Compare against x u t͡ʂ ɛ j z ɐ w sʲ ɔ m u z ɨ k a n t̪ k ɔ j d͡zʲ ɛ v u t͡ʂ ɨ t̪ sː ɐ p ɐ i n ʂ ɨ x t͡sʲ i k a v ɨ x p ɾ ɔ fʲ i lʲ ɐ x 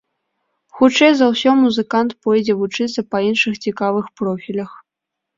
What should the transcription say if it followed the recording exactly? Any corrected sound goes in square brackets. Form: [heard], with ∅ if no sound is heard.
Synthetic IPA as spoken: x u t͡ʂ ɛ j z ɐ w sʲ ɔ m u z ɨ k a n t̪ [p] ɔ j d͡zʲ ɛ v u t͡ʂ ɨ t̪ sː ɐ p ɐ i n ʂ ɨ x t͡sʲ i k a v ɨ x p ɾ ɔ fʲ i lʲ ɐ x